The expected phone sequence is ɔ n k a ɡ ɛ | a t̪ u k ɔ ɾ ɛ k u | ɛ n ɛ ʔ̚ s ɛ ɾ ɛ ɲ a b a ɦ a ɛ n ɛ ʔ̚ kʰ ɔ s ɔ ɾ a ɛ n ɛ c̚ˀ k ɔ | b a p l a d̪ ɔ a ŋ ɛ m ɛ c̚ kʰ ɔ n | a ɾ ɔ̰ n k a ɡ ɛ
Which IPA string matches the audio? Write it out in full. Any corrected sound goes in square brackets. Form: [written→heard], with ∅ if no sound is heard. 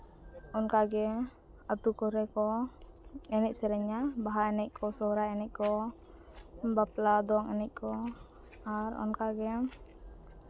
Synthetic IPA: ɔ n k a ɡ ɛ | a t̪ u k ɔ ɾ ɛ k [u→ɔ] | ɛ n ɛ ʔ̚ s ɛ ɾ ɛ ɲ a b a ɦ a ɛ n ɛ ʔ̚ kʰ ɔ s ɔ ɾ a ɛ n ɛ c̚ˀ k ɔ | b a p l a d̪ ɔ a ŋ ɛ [m→n] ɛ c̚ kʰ ɔ [n→∅] | a ɾ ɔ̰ n k a ɡ ɛ